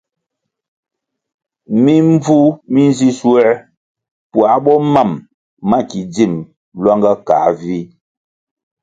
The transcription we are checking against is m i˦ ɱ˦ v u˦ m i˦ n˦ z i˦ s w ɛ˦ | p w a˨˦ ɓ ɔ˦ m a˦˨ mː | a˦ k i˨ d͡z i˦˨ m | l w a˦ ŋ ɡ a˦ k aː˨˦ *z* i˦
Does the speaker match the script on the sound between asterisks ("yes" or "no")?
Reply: no